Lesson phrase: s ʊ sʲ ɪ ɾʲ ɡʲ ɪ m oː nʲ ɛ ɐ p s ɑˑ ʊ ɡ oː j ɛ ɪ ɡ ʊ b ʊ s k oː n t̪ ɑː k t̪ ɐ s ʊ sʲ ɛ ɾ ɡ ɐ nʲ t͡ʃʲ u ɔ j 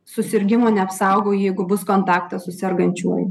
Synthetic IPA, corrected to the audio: s ʊ sʲ ɪ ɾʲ ɡʲ ɪ m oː nʲ ɛ ɐ p s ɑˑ ʊ ɡ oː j ɛ ɪ ɡ ʊ b ʊ s k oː n t̪ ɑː k t̪ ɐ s ʊ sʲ ɛ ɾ ɡ ɐ nʲ t͡ʃʲ u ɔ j